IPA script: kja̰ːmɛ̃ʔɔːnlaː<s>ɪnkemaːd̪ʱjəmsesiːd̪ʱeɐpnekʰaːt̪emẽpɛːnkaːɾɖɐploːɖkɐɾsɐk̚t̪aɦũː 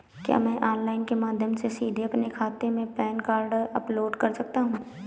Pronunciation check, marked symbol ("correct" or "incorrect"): incorrect